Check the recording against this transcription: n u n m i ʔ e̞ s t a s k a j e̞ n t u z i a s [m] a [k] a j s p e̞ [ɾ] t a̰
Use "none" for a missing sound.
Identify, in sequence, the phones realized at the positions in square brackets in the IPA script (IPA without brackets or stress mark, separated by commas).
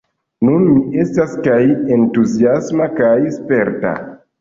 m, k, ɾ